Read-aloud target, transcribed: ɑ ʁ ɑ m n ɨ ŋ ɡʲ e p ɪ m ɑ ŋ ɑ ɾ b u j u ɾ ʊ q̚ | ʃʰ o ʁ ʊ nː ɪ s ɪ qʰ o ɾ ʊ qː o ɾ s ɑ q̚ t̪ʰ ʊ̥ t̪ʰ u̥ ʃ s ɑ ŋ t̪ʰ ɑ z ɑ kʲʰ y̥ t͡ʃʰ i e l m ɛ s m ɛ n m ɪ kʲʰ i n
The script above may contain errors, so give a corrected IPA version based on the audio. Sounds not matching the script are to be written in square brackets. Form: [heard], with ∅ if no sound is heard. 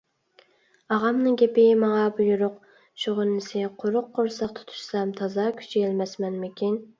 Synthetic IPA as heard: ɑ ʁ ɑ m n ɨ ŋ ɡʲ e p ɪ m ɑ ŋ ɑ [∅] b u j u ɾ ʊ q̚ | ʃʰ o ʁ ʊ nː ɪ s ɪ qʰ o ɾ ʊ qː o ɾ s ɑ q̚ t̪ʰ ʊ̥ t̪ʰ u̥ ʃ s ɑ [m] t̪ʰ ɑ z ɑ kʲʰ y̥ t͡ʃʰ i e l m ɛ s m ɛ n m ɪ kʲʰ i n

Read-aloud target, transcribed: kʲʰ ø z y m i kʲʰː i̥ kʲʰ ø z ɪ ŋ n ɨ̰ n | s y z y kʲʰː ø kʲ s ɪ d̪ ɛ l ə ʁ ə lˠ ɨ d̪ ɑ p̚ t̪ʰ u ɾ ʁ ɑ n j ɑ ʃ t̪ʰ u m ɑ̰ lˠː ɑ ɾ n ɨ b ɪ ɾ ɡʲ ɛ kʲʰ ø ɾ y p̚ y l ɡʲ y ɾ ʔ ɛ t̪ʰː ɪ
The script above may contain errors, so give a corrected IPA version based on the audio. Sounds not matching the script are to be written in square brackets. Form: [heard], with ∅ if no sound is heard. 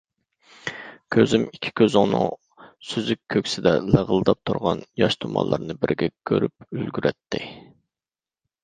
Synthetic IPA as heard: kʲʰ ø z y m i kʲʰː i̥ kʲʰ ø z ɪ ŋ n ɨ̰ [ŋ] | s y z y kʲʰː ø kʲ s ɪ d̪ ɛ l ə ʁ ə lˠ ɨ d̪ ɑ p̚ t̪ʰ u ɾ ʁ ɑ n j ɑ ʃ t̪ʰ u m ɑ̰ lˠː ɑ ɾ n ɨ b ɪ ɾ ɡʲ ɛ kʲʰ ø ɾ y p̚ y l ɡʲ y ɾ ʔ ɛ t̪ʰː ɪ

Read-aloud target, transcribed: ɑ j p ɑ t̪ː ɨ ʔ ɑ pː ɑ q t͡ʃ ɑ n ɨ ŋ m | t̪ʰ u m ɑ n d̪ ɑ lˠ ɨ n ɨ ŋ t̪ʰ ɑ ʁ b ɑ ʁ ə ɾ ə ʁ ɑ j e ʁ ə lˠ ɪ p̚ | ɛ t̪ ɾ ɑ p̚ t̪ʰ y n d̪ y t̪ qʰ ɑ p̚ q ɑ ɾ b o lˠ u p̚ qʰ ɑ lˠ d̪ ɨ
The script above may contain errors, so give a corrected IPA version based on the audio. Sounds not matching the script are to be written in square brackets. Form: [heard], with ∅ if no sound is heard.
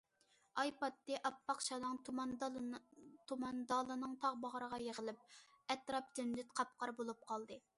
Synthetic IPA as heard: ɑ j p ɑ t̪ː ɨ ʔ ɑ pː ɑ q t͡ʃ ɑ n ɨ ŋ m | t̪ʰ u m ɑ n d̪ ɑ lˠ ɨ n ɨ ŋ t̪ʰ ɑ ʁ b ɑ ʁ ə ɾ ə ʁ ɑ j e ʁ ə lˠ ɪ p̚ | ɛ t̪ ɾ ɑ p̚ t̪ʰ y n d̪ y t̪ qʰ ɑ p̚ q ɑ ɾ b o lˠ u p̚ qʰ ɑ lˠ d̪ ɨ

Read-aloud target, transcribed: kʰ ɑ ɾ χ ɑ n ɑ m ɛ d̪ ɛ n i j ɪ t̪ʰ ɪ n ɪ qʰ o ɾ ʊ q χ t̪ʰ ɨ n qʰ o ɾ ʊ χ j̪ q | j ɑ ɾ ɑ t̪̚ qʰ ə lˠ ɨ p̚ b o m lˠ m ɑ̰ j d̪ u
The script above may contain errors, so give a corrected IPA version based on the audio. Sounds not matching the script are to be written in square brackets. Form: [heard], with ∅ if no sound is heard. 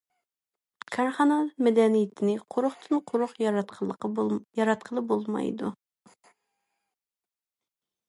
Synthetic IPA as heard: kʰ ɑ ɾ χ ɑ n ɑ m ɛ d̪ ɛ n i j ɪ t̪ʰ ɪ n ɪ qʰ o ɾ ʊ [∅] χ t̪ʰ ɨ n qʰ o ɾ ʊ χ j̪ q | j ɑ ɾ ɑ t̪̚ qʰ ə lˠ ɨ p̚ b o [∅] lˠ m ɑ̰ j d̪ u

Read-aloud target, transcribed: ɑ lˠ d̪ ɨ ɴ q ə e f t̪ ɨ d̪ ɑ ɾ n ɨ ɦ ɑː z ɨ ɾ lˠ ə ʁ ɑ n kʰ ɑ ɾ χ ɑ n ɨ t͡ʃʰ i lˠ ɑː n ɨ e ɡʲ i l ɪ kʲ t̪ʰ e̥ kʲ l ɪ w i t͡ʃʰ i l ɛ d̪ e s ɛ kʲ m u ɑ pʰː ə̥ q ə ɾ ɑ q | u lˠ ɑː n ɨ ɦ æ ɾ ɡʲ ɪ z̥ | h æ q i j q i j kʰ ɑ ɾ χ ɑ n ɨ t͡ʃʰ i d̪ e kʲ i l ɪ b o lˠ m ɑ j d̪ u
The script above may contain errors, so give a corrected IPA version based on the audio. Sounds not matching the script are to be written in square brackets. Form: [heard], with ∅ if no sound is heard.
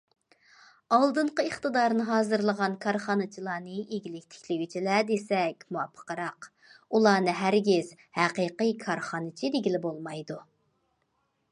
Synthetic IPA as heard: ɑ lˠ d̪ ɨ ɴ q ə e [χ] t̪ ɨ d̪ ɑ ɾ n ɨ ɦ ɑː z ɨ ɾ lˠ ə ʁ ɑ n kʰ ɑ ɾ χ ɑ n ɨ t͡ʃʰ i lˠ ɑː n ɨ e ɡʲ i l ɪ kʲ t̪ʰ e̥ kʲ l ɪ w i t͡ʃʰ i l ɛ d̪ e s ɛ kʲ m u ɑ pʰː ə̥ q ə ɾ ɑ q | u lˠ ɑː n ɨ ɦ æ ɾ ɡʲ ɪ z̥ | h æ q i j q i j kʰ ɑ ɾ χ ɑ n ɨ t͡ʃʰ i d̪ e [ɡʲ] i l ɪ b o lˠ m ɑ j d̪ u

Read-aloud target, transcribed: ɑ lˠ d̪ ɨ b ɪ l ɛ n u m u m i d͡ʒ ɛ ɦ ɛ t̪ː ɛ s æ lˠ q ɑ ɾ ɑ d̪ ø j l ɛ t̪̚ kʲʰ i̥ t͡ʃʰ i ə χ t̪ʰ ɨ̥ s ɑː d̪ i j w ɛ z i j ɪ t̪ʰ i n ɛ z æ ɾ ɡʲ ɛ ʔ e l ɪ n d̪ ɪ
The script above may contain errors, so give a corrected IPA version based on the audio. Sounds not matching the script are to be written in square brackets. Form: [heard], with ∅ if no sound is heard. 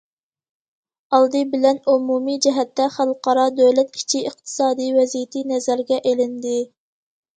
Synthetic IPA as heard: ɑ lˠ d̪ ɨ b ɪ l ɛ n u m u m i d͡ʒ ɛ ɦ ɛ t̪ː ɛ [χ] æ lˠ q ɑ ɾ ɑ d̪ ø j l ɛ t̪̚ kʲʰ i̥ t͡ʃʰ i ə χ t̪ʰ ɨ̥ s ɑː d̪ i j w ɛ z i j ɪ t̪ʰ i n ɛ z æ ɾ ɡʲ ɛ ʔ e l ɪ n d̪ ɪ

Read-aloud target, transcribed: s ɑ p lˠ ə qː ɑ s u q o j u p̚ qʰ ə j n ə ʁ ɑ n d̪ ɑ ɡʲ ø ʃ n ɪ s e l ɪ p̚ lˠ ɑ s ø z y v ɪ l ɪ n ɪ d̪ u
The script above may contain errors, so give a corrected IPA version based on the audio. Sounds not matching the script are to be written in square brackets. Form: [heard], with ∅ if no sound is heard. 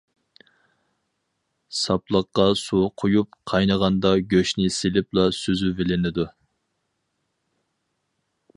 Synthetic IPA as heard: s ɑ p lˠ ə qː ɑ s u [qʰ] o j u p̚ qʰ [ɑ] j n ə ʁ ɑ n d̪ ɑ ɡʲ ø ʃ n ɪ s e l ɪ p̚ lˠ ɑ s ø z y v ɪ l ɪ n ɪ d̪ u

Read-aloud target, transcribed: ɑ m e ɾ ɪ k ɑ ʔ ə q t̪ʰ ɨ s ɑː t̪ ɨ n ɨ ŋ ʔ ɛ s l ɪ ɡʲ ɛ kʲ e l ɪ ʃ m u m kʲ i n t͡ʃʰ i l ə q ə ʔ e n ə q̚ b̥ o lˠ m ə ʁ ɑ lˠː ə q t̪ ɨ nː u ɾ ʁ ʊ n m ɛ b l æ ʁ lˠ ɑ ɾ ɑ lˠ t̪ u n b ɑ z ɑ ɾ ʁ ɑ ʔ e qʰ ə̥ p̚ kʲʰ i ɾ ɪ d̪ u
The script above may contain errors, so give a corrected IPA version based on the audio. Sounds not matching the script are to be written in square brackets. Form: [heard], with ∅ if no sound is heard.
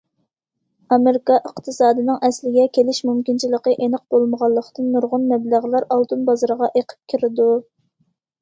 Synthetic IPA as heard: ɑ m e ɾ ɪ k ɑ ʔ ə q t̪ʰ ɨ s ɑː [d̪] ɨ n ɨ ŋ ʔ ɛ s l ɪ ɡʲ ɛ kʲ e l ɪ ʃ m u m kʲ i n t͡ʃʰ i l ə q ə ʔ e n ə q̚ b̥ o lˠ m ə ʁ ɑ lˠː ə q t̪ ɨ nː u ɾ ʁ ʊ n m ɛ b l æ ʁ lˠ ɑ ɾ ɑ lˠ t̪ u n b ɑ z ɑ ɾ ʁ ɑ ʔ e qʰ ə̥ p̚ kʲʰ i ɾ ɪ d̪ u

